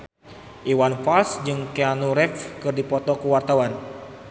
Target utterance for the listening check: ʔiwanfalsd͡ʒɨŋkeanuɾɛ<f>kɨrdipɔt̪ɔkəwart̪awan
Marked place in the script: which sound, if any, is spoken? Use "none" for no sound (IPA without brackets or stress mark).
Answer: f